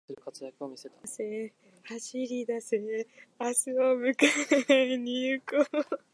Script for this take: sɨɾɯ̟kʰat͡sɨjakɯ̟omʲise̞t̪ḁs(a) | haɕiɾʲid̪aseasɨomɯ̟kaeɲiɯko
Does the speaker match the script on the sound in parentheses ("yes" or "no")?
no